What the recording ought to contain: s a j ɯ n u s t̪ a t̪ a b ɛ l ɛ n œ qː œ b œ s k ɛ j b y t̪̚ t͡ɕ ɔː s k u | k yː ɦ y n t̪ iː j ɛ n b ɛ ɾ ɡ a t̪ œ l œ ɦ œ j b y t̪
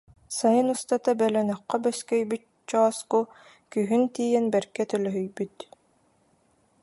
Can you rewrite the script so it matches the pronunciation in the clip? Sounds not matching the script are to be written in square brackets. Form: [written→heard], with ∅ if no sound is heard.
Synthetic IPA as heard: s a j ɯ n u s t̪ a t̪ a b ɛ l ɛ n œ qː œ b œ s k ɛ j b y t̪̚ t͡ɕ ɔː s k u | k [yː→y] ɦ y n t̪ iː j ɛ n b ɛ ɾ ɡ [a→ɛ] t̪ œ l œ ɦ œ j b y t̪